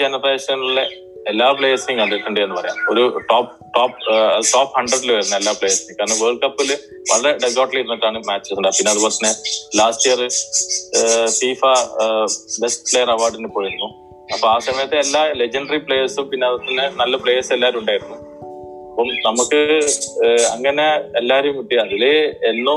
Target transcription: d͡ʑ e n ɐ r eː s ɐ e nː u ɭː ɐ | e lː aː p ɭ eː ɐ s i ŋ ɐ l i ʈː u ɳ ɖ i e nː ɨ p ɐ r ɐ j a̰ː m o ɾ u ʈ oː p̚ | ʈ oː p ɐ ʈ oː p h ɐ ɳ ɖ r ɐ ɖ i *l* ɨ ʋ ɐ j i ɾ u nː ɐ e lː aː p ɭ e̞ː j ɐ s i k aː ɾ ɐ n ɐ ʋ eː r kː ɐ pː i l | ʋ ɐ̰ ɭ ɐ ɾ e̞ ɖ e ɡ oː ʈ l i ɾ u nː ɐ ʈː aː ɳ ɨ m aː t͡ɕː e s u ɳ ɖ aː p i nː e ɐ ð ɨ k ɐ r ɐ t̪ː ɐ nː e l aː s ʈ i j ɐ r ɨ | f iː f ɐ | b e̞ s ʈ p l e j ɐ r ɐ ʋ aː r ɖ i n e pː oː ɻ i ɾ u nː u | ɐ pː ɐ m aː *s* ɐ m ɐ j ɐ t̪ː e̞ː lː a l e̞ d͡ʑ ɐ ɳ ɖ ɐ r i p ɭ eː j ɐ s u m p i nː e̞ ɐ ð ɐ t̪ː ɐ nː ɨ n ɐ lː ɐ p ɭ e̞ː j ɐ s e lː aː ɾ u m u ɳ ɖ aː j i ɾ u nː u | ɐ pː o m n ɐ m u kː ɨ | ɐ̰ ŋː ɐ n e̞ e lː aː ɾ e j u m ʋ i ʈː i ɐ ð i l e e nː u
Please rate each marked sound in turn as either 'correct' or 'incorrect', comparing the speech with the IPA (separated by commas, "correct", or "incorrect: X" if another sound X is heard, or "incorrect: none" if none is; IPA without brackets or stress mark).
correct, correct